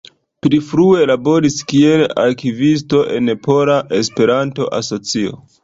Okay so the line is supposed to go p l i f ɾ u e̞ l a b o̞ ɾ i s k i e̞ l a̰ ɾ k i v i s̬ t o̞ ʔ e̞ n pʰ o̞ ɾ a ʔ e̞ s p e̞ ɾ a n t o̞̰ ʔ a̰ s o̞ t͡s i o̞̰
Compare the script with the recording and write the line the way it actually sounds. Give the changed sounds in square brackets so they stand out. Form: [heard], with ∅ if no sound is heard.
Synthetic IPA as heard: p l i f ɾ u e̞ l a b o̞ ɾ i s k i e̞ l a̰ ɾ k i v i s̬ t o̞ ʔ e̞ n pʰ o̞ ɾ a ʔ e̞ s p e̞ ɾ a n t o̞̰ ʔ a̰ s o̞ t͡s i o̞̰